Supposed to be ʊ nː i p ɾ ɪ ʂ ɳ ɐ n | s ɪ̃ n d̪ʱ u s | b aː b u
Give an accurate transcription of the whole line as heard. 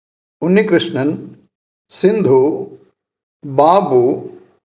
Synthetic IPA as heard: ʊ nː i k ɾ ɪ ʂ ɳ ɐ n | s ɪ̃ n d̪ʱ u | b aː b u